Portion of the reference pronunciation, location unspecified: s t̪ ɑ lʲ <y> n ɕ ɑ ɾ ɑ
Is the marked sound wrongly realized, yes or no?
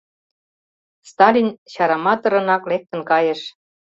yes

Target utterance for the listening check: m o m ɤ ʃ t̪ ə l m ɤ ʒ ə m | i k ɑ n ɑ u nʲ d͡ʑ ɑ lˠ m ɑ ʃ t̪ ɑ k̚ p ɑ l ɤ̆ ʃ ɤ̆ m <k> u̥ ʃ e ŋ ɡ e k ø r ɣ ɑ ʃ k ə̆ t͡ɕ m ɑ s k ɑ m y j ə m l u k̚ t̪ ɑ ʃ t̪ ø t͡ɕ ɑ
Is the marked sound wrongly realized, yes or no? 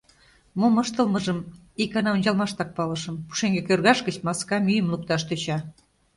yes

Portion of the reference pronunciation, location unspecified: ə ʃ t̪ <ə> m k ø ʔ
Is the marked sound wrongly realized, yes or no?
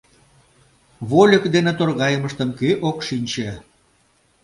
no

